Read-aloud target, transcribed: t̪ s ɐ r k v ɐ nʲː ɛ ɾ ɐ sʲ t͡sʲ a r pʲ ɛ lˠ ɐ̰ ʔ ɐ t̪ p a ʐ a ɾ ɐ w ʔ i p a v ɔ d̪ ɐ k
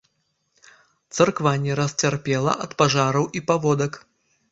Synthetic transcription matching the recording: t̪ s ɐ r k v a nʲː ɛ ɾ ɐ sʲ t͡sʲ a r pʲ ɛ lˠ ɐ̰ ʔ ɐ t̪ p a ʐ a ɾ ɐ w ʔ i p a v ɔ d̪ ɐ k

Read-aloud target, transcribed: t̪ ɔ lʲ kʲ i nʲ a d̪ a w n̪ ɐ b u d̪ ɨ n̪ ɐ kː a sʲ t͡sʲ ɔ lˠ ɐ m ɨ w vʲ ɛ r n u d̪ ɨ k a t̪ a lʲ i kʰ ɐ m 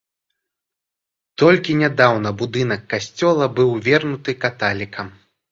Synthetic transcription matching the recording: t̪ ɔ lʲ kʲ i nʲ a d̪ a w n̪ ɐ b u d̪ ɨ n̪ ɐ kː a sʲ t͡sʲ ɔ lˠ ɐ b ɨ w vʲ ɛ r n u t̪ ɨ k a t̪ a lʲ i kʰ ɐ m

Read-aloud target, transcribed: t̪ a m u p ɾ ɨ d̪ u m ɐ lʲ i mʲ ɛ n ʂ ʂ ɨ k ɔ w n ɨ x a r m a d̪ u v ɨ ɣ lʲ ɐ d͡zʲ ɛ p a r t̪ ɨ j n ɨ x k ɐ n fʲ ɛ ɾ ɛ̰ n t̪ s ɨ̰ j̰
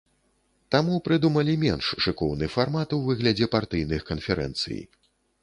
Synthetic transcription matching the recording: t̪ a m u p ɾ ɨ d̪ u m ɐ lʲ i mʲ ɛ n ʂ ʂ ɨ k ɔ w n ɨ f a r m a t̪ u v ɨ ɣ lʲ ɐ d͡zʲ ɛ p a r t̪ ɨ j n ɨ x k ɐ n fʲ ɛ ɾ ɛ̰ n t̪ s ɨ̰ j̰

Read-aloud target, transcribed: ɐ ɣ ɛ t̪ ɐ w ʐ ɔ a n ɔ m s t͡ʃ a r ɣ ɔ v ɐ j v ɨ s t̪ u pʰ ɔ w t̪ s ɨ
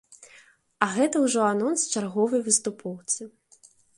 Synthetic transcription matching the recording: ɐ ɣ ɛ t̪ ɐ w ʐ ɔ a n ɔ n s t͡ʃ a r ɣ ɔ v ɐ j v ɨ s t̪ u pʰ ɔ w t̪ s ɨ

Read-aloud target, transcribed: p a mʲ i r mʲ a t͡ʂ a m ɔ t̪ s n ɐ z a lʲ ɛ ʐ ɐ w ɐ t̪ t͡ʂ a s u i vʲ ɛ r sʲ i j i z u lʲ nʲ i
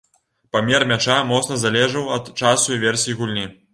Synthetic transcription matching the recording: p a mʲ ɛ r mʲ a t͡ʂ a m ɔ t̪ s n ɐ z a lʲ ɛ ʐ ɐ w ɐ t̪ t͡ʂ a s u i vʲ ɛ r sʲ i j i ɣ u lʲ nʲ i

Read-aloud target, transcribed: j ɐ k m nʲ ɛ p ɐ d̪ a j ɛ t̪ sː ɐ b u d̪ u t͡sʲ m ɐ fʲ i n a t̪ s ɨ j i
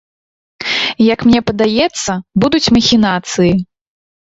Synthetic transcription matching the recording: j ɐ k m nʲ ɛ p ɐ d̪ a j ɛ t̪ sː ɐ b u d̪ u t͡sʲ m ɐ xʲ i n a t̪ s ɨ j i

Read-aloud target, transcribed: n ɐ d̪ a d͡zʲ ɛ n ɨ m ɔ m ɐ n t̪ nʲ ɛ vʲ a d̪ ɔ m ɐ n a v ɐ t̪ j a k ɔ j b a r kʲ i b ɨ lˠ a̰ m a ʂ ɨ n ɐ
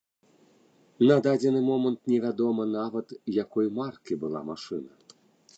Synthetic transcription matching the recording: n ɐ d̪ a d͡zʲ ɛ n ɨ m ɔ m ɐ n t̪ nʲ ɛ vʲ a d̪ ɔ m ɐ n a v ɐ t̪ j a k ɔ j m a r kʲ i b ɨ lˠ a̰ m a ʂ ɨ n ɐ

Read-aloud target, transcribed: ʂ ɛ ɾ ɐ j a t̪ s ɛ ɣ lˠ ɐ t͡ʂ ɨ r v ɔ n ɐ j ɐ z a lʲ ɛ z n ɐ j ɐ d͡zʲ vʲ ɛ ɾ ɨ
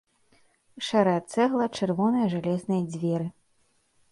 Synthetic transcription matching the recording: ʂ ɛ ɾ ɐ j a t̪ s ɛ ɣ lˠ ɐ t͡ʂ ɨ r v ɔ n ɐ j ɐ ʐ a lʲ ɛ z n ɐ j ɐ d͡zʲ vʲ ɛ ɾ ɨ

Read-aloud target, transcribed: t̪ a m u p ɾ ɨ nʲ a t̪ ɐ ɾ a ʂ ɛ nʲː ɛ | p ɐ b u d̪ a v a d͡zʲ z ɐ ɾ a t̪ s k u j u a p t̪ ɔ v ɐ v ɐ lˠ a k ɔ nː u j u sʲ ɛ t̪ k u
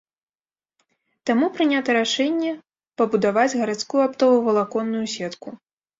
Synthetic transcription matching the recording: t̪ a m u p ɾ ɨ nʲ a t̪ ɐ ɾ a ʂ ɛ nʲː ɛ | p ɐ b u d̪ a v a d͡zʲ ɣ ɐ ɾ a t̪ s k u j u a p t̪ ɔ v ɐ v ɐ lˠ a k ɔ nː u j u sʲ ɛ t̪ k u

